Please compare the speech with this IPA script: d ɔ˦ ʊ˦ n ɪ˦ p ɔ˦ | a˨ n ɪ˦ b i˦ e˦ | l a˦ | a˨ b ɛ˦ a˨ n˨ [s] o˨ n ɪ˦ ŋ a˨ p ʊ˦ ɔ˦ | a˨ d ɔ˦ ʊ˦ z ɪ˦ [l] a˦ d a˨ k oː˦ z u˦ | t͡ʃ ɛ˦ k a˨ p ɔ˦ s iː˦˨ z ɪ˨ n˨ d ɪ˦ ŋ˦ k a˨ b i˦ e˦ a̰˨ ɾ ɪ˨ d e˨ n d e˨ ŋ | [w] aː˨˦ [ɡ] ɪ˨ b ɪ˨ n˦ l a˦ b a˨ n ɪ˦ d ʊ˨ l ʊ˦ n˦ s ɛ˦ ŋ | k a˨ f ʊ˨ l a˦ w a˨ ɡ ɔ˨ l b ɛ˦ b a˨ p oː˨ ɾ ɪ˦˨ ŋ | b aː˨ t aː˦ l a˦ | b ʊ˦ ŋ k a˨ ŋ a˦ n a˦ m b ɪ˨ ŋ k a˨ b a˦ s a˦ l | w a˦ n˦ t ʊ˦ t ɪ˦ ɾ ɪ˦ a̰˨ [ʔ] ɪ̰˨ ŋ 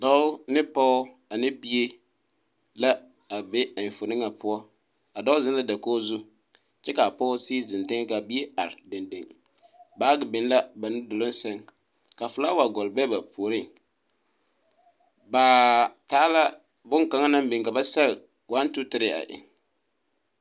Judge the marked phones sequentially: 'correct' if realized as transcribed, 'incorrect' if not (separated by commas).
incorrect, correct, incorrect, correct, correct